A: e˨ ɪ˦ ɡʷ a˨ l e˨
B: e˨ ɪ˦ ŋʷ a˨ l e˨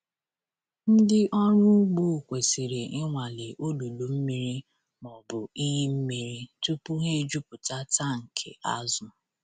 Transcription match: B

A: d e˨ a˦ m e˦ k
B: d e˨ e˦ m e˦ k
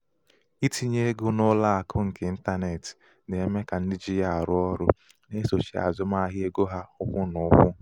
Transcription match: B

